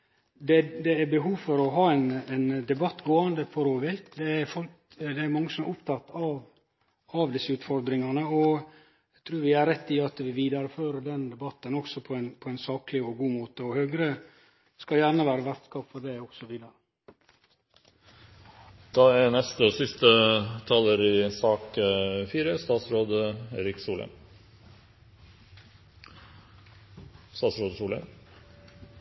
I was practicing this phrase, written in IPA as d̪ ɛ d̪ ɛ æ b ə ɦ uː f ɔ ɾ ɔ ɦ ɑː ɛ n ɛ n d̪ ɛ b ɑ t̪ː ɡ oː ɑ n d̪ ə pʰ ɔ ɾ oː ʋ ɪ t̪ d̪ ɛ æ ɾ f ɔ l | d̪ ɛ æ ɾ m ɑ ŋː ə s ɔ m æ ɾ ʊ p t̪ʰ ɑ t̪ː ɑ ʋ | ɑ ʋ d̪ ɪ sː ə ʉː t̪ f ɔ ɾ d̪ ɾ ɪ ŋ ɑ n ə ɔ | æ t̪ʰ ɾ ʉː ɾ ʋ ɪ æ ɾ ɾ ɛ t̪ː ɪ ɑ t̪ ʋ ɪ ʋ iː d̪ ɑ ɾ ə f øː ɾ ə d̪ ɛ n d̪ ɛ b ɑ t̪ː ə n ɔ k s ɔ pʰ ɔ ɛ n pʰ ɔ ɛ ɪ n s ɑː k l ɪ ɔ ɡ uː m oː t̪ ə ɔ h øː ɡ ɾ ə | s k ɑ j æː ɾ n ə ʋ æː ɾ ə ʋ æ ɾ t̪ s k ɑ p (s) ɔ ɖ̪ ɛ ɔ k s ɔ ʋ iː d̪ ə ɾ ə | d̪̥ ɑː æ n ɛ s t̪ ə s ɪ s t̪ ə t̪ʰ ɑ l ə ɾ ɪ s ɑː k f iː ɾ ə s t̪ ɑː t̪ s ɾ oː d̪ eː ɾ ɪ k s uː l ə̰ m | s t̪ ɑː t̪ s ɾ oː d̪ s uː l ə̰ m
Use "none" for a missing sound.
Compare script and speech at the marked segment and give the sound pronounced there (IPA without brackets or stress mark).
f